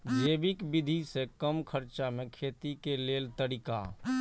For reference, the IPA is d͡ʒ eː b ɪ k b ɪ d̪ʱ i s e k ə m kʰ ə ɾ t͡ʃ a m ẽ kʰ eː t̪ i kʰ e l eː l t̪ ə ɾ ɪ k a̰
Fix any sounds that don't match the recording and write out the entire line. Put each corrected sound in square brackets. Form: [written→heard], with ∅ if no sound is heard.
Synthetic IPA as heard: d͡ʒ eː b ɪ k b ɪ d̪ʱ i s e k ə m kʰ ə ɾ t͡ʃ a m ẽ kʰ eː t̪ i [kʰ→k] e l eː l t̪ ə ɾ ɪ k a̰